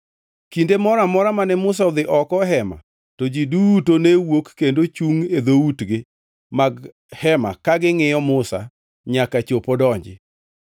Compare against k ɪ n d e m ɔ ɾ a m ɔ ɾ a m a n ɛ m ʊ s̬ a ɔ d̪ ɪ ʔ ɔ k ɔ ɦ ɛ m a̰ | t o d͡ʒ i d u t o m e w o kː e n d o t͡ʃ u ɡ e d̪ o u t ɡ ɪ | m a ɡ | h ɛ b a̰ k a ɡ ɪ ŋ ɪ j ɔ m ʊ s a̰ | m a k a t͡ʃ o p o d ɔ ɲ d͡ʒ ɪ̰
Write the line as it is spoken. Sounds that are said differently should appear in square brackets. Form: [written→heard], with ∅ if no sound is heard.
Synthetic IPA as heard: k [ɪ→i] n d e m ɔ ɾ a m ɔ ɾ a m a n ɛ m ʊ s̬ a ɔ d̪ ɪ ʔ ɔ k ɔ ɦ ɛ m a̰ | t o d͡ʒ i d u t o [m→n] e w o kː e n d o t͡ʃ u [ɡ→ŋ] e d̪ o u t ɡ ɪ | m a ɡ | h ɛ [b→m] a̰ k a ɡ ɪ ŋ ɪ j ɔ m ʊ s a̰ | [m→ɲ] a k a t͡ʃ o p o d ɔ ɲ d͡ʒ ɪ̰

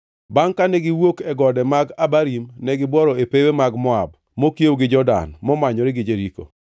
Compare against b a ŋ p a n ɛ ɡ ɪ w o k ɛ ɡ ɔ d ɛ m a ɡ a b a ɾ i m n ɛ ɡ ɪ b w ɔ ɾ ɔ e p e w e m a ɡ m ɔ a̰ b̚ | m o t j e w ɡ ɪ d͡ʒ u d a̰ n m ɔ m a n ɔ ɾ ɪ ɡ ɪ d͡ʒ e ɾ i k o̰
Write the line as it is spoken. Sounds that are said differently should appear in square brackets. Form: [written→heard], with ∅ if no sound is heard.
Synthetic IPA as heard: b a ŋ [p→k] a n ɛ ɡ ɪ w o k ɛ ɡ ɔ d ɛ m a ɡ a b a ɾ i m n ɛ ɡ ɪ b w ɔ ɾ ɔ e p e w e m a ɡ m ɔ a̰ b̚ | m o [t→k] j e w ɡ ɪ d͡ʒ [u→ɔ] d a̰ n m ɔ m a [n→ɲ] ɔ ɾ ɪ ɡ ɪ d͡ʒ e ɾ i k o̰

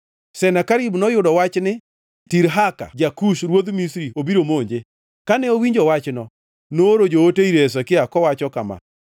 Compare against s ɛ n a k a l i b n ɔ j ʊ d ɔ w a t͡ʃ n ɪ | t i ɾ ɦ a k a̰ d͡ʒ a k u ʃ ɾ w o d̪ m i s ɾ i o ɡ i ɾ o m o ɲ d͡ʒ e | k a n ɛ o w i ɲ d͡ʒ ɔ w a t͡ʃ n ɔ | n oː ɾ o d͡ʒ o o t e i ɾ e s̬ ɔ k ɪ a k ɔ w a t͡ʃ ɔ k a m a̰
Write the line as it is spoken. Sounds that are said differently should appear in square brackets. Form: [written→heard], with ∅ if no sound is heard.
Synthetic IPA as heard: s ɛ n a k a [l→ɾ] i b n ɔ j ʊ d ɔ w a t͡ʃ n ɪ | t i ɾ ɦ a k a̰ d͡ʒ a k u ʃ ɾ w o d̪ m i s ɾ i o [ɡ→b] i ɾ o m o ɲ d͡ʒ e | k a n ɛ o w i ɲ d͡ʒ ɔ w a t͡ʃ n ɔ | n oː ɾ o d͡ʒ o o t e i ɾ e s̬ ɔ k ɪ a k ɔ w a t͡ʃ ɔ k a m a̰

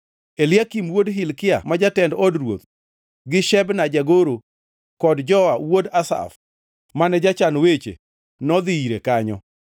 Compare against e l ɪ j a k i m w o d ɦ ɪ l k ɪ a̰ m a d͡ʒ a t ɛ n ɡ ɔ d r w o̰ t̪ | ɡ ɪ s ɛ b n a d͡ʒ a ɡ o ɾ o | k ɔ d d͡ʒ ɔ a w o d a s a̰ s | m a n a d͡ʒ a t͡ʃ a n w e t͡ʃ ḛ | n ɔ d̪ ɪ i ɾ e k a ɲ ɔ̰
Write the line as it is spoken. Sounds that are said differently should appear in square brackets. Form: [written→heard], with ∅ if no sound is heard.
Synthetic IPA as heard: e l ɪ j a k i m w o d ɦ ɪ l k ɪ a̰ m a d͡ʒ a t ɛ n [ɡ→d] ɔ d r w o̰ t̪ | ɡ ɪ [s→ʃ] ɛ b n a d͡ʒ a ɡ o ɾ o | k ɔ d d͡ʒ ɔ a w o d a s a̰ [s→f] | m a n [a→ɛ] d͡ʒ a t͡ʃ a n w e t͡ʃ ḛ | n ɔ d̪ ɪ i ɾ e k a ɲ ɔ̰

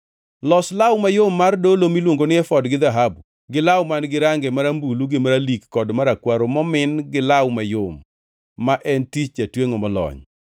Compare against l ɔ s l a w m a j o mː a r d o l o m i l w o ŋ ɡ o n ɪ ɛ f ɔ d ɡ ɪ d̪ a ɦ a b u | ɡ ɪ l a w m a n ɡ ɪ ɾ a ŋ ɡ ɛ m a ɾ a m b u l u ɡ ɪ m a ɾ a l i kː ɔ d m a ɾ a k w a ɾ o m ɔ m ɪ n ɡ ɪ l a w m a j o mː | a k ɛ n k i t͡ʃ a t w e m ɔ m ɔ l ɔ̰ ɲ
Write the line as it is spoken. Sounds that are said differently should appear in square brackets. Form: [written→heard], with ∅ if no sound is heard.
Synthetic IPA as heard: l ɔ s l a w m a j o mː a r d o l o m i l w o ŋ ɡ o n ɪ ɛ f ɔ d ɡ ɪ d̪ a ɦ a b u | ɡ ɪ l a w m a n ɡ ɪ ɾ a ŋ ɡ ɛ m a ɾ a m b u l u ɡ ɪ m a ɾ a l i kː ɔ d m a ɾ a k w a ɾ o m ɔ m ɪ n ɡ ɪ l a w m a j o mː | a [k→ʔ] ɛ n [k→t] i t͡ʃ a t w e [m→ŋ] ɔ m ɔ l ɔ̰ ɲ

